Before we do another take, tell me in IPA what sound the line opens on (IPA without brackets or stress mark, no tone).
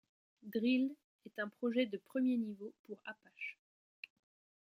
d̪